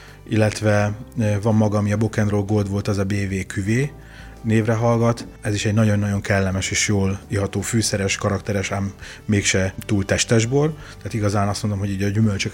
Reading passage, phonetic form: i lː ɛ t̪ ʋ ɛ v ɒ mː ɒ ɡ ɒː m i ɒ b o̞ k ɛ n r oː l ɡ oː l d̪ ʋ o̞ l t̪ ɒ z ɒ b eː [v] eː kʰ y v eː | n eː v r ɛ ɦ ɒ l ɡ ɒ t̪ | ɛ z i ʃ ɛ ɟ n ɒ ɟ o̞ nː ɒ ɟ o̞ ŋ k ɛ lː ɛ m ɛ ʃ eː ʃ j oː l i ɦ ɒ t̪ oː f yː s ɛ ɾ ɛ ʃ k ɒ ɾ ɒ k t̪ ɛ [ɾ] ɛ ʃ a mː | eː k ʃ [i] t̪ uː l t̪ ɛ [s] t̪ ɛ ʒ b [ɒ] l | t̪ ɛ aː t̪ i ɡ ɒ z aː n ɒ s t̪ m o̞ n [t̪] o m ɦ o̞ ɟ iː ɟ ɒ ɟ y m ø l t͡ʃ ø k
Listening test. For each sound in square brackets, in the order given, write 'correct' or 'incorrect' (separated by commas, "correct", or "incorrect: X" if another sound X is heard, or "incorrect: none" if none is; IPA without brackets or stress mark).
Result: correct, correct, incorrect: ɛ, incorrect: ʃ, incorrect: o, incorrect: d̪